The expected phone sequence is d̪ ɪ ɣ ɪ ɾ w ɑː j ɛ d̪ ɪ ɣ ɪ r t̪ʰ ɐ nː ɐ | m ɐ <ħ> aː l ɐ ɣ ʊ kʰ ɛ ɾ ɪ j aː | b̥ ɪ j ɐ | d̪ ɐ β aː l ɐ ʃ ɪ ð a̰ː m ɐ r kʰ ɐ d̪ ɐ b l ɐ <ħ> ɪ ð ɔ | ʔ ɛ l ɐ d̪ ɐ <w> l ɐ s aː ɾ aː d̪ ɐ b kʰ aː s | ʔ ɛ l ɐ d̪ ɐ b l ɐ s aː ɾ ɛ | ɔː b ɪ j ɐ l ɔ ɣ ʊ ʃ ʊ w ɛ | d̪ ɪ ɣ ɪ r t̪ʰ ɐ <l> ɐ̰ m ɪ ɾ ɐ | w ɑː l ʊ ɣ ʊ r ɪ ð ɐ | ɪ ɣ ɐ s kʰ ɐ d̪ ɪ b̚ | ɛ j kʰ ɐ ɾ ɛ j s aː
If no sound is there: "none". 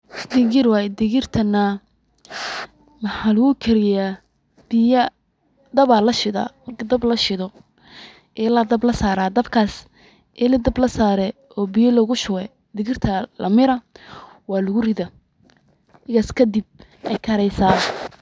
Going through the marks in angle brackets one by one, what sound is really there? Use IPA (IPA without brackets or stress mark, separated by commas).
ħ, ʃ, b, l